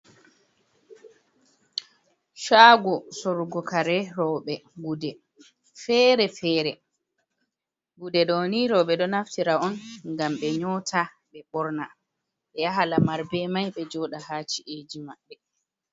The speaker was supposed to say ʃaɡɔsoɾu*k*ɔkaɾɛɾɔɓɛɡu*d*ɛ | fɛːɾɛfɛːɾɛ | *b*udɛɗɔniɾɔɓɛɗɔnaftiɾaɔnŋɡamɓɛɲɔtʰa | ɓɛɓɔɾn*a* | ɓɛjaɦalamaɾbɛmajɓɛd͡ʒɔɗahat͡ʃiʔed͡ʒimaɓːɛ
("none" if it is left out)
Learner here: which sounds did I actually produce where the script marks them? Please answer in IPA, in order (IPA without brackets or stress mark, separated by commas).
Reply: ɡ, d, ɡ, a